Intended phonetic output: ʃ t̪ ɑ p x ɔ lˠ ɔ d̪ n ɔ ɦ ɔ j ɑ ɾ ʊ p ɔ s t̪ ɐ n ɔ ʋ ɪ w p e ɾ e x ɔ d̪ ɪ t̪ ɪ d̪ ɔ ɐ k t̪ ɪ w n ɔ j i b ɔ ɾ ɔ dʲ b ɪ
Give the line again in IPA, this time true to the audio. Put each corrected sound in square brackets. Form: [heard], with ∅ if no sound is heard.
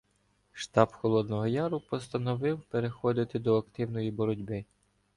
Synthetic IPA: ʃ t̪ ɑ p x ɔ lˠ ɔ d̪ n ɔ ɦ ɔ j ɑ ɾ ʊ p ɔ s t̪ ɐ n ɔ ʋ ɪ w p e ɾ e x ɔ d̪ ɪ t̪ ɪ d̪ ɔ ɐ k t̪ ɪ w n ɔ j i b ɔ ɾ ɔ dʲ b ɪ